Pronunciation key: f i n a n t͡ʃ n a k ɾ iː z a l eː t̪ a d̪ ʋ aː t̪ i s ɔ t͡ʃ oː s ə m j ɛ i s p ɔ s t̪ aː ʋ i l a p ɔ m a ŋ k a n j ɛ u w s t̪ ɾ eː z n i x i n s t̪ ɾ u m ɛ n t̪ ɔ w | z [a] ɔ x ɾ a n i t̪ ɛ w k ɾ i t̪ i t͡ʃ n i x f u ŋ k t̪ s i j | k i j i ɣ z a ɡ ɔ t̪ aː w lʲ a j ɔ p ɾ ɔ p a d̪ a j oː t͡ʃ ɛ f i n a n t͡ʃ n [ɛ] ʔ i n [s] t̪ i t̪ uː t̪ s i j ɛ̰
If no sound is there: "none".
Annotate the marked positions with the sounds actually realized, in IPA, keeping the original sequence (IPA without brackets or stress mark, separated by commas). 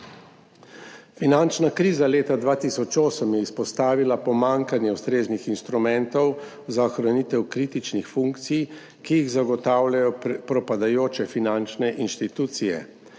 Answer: a, ɛ, ʃ